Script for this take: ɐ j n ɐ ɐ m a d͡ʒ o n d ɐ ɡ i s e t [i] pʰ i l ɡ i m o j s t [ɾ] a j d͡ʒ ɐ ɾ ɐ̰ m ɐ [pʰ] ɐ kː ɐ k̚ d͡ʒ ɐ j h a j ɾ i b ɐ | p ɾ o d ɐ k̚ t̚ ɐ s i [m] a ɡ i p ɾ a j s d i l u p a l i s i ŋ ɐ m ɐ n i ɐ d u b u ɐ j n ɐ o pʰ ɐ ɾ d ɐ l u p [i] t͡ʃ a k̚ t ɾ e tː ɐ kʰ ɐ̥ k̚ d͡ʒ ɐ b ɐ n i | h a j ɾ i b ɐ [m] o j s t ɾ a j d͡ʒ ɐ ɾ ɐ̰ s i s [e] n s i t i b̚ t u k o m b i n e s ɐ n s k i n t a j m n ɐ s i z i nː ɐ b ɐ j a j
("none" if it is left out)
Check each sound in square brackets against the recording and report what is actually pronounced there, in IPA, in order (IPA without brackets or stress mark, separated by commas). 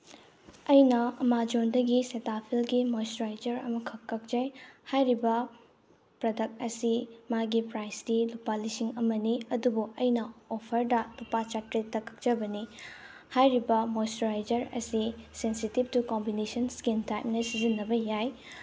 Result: a, ɾ, kʰ, m, a, m, e